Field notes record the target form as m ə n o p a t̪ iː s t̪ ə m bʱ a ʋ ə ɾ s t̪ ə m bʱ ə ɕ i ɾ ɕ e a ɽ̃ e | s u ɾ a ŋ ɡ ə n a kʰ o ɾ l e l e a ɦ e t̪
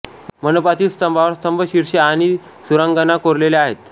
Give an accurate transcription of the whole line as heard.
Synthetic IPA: m ə n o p a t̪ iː s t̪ ə m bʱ a ʋ ə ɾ s t̪ ə m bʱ ə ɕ i ɾ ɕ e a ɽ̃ i | s u ɾ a ŋ ɡ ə n a k o ɾ l e l e a ɦ e t̪